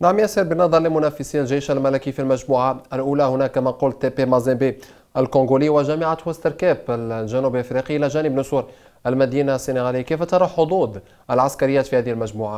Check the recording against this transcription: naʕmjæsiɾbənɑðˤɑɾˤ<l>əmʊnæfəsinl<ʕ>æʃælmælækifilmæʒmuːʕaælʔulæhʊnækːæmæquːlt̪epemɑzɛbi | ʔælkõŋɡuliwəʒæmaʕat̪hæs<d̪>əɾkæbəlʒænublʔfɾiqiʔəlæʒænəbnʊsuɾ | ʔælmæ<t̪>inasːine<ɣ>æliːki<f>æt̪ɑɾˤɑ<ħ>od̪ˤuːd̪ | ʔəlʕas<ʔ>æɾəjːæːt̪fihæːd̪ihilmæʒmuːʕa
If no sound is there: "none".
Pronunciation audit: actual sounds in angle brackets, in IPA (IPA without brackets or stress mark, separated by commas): l, ʒ, t̪, d̪, ɣ, f, ħ, k